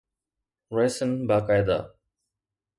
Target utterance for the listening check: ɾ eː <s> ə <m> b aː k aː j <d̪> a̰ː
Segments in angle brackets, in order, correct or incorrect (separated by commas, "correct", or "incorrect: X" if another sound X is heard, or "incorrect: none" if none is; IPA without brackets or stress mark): correct, incorrect: n, correct